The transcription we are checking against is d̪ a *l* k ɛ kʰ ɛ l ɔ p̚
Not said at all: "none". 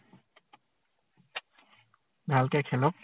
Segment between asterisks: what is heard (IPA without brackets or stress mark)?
l